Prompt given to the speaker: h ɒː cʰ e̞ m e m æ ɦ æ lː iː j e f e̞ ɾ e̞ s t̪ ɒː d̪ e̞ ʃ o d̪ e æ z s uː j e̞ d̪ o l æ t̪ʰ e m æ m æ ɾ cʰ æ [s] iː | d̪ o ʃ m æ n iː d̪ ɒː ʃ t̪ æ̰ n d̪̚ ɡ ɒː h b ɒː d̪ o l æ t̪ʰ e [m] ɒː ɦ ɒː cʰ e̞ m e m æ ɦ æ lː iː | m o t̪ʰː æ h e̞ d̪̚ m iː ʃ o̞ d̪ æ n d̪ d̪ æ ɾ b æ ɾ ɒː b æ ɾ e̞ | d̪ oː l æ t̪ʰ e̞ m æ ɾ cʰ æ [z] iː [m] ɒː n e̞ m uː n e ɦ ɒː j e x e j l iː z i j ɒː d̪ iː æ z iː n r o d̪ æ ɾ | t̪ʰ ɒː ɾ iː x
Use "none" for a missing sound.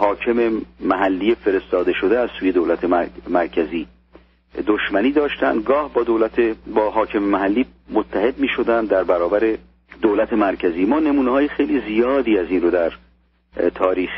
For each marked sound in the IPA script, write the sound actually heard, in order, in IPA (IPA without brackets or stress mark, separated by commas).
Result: z, b, z, m